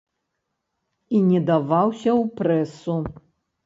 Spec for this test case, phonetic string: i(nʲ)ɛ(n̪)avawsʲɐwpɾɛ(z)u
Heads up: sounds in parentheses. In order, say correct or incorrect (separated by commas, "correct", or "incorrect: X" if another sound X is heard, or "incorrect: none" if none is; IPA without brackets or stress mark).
correct, incorrect: d̪, incorrect: s